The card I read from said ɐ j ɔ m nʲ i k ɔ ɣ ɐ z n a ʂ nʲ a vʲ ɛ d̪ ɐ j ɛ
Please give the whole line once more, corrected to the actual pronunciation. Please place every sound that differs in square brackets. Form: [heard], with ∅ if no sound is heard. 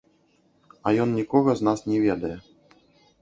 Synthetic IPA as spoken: ɐ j ɔ [n] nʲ i k ɔ ɣ ɐ z n a [s] nʲ [ɛ] vʲ ɛ d̪ ɐ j ɛ